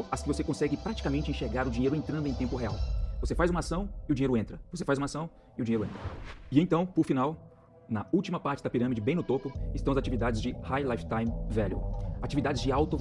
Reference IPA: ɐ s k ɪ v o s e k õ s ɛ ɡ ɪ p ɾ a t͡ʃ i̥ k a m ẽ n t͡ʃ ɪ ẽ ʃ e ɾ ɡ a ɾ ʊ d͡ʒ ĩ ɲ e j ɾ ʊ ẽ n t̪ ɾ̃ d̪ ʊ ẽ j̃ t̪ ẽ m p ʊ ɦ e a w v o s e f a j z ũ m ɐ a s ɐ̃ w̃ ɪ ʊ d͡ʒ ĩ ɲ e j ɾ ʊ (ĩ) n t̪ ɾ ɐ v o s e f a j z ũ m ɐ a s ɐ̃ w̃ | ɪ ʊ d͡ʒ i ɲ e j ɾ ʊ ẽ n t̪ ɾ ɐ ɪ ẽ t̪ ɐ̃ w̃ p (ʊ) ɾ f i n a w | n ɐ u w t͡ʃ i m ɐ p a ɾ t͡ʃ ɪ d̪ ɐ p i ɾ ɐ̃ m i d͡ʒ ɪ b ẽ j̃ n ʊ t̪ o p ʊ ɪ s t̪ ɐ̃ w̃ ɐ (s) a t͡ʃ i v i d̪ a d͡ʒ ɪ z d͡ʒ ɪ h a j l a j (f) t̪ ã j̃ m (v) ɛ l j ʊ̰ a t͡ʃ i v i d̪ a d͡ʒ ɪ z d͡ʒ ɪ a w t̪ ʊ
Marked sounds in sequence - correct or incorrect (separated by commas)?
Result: incorrect, correct, incorrect, correct, correct